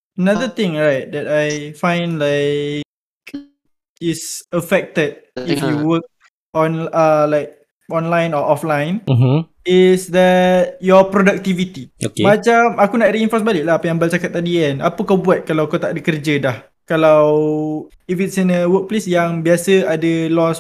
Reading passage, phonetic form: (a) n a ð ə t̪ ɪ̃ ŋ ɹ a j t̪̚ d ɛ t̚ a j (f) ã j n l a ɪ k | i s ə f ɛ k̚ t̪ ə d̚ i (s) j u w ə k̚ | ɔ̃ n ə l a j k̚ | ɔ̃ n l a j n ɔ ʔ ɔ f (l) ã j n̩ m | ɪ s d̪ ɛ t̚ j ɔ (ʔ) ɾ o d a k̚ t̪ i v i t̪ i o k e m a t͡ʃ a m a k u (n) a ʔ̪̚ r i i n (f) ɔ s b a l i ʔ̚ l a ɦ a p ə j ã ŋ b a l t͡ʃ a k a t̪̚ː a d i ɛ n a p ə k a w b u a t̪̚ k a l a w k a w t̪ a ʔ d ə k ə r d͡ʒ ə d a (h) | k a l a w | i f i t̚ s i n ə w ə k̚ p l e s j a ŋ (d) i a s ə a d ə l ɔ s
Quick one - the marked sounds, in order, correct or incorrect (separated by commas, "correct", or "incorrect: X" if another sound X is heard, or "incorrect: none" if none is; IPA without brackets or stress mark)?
incorrect: ə, correct, incorrect: f, correct, incorrect: p, correct, correct, correct, incorrect: b